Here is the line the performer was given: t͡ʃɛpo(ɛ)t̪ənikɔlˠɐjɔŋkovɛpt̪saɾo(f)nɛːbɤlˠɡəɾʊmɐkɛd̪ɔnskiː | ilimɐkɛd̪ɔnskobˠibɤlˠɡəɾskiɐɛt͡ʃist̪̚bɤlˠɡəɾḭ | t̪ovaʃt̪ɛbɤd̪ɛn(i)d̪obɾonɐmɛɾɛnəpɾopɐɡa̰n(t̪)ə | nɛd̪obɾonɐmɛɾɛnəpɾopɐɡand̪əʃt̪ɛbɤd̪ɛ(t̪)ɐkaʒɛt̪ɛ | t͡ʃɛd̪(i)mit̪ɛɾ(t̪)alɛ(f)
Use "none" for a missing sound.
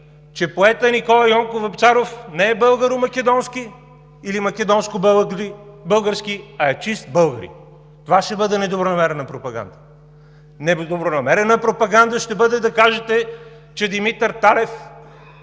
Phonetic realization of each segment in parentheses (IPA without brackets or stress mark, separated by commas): ɛ, f, ɛ, d̪, d̪, i, t̪, f